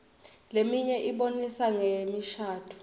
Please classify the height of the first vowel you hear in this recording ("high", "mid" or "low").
mid